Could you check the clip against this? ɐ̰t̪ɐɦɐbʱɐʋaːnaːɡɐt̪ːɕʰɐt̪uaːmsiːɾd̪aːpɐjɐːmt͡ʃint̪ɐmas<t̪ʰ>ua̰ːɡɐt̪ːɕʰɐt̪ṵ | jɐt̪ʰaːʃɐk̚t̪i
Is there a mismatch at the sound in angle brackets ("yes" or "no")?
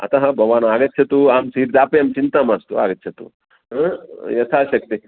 yes